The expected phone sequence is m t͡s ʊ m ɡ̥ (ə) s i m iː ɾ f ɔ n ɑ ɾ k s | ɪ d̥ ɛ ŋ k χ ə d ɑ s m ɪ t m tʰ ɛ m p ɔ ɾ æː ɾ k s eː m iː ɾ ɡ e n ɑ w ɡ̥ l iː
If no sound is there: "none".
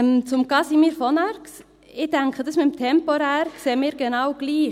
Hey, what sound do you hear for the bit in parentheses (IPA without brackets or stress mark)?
ɑ